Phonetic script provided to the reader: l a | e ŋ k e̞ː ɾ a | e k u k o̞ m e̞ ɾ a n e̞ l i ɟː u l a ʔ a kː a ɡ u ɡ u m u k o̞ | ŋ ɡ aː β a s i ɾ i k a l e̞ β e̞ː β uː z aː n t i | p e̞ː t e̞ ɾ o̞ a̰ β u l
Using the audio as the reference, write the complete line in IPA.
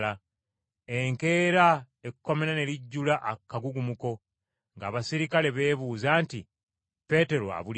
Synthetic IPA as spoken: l a | e ŋ k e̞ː ɾ a | e k u k o̞ m e̞ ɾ a n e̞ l i ɟː u l a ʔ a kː a ɡ u ɡ u m u k o̞ | ŋ ɡ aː β a s i ɾ i k a l e̞ β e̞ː β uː z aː n t i | p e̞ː t e̞ ɾ o̞ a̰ β u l